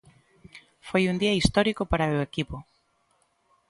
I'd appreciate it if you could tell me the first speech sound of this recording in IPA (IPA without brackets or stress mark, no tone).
f